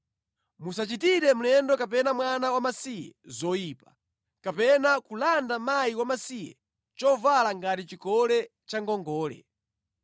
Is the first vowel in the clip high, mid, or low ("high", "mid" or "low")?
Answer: high